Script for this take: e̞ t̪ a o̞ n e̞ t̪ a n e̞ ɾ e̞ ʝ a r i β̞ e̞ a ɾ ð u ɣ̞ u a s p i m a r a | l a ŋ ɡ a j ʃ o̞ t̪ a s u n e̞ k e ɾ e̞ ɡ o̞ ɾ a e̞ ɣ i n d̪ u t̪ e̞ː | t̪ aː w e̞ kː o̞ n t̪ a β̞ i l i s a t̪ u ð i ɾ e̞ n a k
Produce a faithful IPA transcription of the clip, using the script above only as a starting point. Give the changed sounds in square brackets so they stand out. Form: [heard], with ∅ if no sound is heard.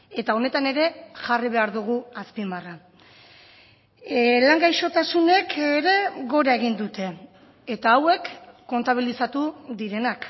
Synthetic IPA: e̞ t̪ a o̞ n e̞ t̪ a n e̞ ɾ e̞ ʝ a r i β̞ e̞ a ɾ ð u ɣ̞ u a s p i m a r a | l a ŋ ɡ a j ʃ o̞ t̪ a s u n e̞ k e ɾ e̞ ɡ o̞ ɾ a e̞ ɣ i n d̪ u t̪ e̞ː | t̪ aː w e̞ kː o̞ n t̪ a β̞ i l i s a t̪ u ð i ɾ e̞ n a k